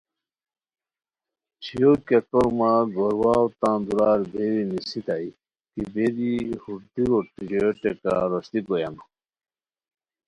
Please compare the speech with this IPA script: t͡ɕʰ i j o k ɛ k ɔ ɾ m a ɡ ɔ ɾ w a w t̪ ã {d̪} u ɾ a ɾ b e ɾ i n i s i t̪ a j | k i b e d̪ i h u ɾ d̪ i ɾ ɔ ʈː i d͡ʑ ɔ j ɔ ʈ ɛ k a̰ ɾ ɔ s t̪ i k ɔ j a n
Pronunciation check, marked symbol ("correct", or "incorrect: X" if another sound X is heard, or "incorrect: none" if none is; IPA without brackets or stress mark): correct